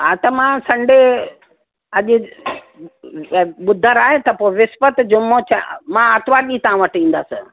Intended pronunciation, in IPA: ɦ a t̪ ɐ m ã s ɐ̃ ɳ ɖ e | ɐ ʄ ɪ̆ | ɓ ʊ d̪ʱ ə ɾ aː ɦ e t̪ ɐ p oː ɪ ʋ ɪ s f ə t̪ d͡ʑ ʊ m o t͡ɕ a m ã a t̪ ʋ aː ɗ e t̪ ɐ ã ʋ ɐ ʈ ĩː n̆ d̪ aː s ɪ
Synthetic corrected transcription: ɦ a t̪ ɐ m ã s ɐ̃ ɳ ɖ e | ɐ ʄ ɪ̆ | ɓ ʊ d̪ʱ ə ɾ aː ɦ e t̪ ɐ p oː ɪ ʋ ɪ s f ə t̪ d͡ʑ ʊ m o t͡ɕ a m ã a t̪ ʋ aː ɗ i t̪ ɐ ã ʋ ɐ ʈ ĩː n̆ d̪ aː s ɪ